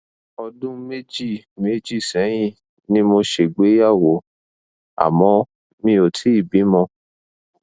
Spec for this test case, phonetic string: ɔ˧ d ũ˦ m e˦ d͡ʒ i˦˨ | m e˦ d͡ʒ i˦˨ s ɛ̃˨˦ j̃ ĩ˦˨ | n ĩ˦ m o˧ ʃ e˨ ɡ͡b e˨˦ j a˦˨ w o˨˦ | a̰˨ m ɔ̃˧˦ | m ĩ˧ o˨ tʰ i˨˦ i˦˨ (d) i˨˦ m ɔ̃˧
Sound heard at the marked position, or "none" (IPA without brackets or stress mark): b